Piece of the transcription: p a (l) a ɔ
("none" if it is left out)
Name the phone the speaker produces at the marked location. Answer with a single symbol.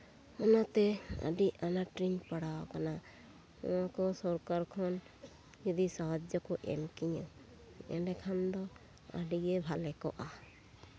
ɽ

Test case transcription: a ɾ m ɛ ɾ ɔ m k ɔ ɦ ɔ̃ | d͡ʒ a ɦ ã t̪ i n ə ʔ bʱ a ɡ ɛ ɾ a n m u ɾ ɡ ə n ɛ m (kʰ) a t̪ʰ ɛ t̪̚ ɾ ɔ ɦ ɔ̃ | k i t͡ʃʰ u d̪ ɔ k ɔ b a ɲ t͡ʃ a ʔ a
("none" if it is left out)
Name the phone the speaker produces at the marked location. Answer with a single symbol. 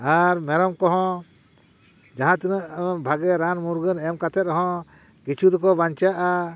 k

